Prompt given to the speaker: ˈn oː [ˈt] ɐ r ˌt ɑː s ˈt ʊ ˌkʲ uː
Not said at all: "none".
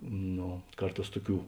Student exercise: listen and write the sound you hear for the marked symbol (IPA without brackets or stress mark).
k